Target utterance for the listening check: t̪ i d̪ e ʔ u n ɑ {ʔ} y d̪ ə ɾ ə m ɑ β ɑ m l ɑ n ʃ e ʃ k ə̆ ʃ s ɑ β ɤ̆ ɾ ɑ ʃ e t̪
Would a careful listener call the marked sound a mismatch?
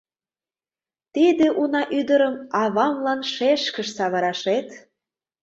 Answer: no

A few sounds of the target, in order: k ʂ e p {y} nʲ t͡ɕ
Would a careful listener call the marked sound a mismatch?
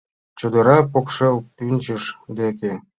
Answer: no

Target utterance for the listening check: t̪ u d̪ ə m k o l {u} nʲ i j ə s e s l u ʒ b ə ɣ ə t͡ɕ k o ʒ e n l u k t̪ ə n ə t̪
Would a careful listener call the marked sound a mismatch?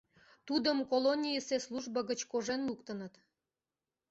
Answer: yes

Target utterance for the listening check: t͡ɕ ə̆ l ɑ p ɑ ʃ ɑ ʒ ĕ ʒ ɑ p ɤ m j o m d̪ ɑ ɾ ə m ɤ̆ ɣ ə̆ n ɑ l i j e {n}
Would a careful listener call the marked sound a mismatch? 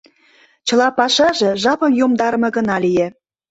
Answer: yes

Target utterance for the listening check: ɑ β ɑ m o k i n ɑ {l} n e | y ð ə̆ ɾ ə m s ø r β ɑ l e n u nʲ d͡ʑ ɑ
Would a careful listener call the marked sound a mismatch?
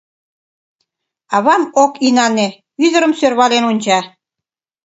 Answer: yes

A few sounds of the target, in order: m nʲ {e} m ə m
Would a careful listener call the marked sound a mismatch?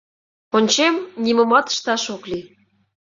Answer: yes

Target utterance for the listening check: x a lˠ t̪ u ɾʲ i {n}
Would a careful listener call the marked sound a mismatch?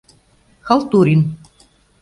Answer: no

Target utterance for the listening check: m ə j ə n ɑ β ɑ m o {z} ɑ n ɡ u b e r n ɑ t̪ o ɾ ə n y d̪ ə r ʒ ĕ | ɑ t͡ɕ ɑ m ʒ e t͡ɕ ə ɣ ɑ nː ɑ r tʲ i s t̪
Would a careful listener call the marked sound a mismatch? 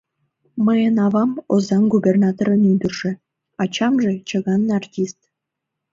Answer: no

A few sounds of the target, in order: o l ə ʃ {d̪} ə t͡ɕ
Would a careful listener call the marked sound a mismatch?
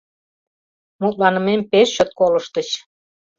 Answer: yes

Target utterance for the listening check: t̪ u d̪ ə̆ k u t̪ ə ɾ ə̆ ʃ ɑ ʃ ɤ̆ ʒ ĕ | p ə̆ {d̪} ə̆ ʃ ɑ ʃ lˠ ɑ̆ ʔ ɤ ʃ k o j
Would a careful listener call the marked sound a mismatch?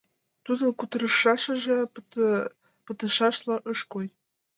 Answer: yes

